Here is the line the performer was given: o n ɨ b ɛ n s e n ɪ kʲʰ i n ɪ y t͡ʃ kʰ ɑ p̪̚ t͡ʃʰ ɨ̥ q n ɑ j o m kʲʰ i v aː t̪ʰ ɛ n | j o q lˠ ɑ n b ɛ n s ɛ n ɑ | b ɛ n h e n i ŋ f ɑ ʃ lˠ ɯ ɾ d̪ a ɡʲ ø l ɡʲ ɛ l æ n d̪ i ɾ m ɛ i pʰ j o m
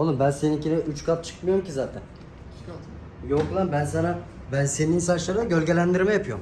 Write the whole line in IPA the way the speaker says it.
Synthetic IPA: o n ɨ b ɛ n s e n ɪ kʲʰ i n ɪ y t͡ʃ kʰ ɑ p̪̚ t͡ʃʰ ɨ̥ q m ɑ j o m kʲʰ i z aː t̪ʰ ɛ n | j o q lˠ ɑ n b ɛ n s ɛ n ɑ | b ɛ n s e n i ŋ s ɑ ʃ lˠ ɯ ɾ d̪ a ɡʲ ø l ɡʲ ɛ l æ n d̪ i ɾ m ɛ j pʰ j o m